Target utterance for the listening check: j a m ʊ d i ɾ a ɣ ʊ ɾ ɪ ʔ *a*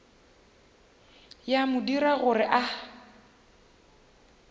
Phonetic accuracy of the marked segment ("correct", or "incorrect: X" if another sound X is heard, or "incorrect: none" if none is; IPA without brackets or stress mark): correct